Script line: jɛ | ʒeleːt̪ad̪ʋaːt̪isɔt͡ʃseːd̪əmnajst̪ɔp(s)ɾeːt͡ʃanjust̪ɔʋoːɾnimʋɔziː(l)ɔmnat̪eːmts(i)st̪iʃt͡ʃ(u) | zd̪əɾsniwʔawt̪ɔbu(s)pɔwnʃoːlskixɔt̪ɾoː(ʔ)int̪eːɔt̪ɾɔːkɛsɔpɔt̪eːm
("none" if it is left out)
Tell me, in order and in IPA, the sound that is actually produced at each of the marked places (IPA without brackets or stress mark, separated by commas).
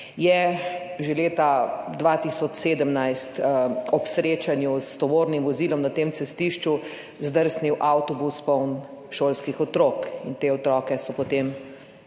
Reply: s, l, ɛ, u, s, k